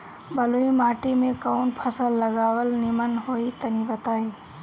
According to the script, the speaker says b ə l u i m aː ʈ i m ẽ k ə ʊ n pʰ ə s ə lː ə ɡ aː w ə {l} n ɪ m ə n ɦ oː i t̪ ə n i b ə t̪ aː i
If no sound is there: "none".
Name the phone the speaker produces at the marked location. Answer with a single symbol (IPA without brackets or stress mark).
l